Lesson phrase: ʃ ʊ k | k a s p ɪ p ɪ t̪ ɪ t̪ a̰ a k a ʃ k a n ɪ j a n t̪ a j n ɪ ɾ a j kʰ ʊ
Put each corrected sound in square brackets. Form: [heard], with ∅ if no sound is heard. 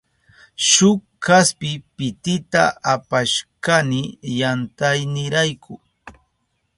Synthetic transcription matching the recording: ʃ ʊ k | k a s p ɪ p ɪ t̪ ɪ t̪ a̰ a [p] a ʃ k a n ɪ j a n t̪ a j n ɪ ɾ a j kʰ ʊ